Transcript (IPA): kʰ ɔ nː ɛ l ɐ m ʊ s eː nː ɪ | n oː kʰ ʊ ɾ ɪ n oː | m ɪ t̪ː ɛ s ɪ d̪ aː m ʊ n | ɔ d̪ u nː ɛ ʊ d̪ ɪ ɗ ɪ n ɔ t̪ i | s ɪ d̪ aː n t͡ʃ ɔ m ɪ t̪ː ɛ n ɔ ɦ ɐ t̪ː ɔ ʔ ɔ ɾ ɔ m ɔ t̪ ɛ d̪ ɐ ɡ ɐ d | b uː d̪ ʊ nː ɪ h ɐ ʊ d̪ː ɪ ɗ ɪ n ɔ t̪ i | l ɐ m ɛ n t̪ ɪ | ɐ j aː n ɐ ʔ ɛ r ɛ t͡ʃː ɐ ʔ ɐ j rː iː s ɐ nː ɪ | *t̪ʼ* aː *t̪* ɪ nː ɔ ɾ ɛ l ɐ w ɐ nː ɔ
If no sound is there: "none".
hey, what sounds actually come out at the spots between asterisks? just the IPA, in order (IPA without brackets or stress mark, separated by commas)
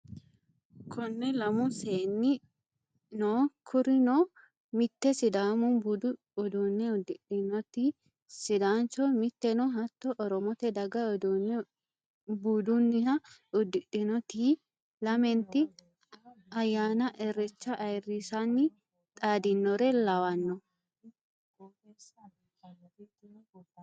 t̪ʼ, d̪